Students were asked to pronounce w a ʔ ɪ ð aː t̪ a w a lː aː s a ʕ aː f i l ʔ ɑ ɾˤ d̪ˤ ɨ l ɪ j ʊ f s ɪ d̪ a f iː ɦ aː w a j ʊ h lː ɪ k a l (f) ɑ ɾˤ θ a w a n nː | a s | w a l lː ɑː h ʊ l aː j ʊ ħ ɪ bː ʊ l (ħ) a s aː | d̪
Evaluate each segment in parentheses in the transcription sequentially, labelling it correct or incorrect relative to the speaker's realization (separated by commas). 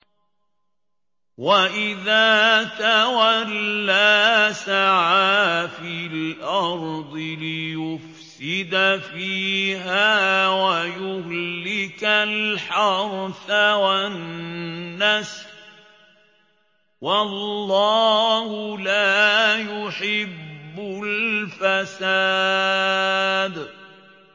incorrect, incorrect